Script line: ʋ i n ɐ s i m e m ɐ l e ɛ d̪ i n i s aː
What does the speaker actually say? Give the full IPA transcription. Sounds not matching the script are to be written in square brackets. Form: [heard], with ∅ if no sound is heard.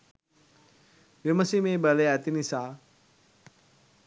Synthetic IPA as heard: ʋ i [m] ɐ s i m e [b] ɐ l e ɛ [t̪] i n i s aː